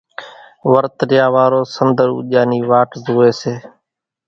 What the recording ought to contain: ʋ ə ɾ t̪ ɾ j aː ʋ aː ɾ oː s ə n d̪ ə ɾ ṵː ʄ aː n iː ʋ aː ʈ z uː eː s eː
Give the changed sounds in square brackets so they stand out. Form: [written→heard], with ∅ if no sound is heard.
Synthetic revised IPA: ʋ ə ɾ t̪ ɾ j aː ʋ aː ɾ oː s ə n d̪ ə ɾ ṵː ʄ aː n iː ʋ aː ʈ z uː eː s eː